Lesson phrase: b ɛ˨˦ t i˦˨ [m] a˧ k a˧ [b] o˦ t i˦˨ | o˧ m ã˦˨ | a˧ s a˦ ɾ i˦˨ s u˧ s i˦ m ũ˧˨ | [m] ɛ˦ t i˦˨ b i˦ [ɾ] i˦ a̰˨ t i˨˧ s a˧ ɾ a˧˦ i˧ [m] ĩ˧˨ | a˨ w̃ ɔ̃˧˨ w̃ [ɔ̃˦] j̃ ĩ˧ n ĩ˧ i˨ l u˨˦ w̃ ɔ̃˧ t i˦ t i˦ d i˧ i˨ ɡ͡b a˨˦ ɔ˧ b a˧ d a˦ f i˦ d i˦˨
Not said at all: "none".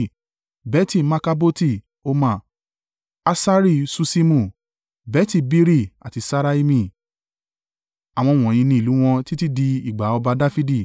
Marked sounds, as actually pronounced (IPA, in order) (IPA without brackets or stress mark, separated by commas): m, b, b, ɾ, m, ɔ̃˨